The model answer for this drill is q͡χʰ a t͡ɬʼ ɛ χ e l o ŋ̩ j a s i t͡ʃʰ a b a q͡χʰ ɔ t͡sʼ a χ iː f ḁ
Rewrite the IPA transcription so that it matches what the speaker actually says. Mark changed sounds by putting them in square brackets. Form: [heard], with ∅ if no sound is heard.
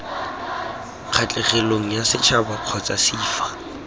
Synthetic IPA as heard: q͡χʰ a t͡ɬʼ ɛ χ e l o ŋ̩ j a s [ɪ] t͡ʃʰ a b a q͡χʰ ɔ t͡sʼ a [s] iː f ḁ